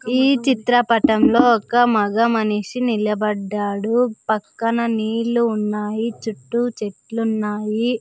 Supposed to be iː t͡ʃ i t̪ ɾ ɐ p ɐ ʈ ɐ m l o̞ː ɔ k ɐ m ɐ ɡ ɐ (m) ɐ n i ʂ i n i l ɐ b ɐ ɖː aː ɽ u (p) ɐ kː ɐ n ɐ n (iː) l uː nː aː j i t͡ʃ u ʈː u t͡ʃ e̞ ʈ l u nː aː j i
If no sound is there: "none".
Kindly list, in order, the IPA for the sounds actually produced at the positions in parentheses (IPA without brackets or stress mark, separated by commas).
m, p, iː